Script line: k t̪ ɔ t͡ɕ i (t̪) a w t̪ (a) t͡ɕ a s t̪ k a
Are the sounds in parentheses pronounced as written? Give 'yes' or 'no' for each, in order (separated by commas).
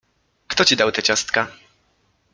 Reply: no, no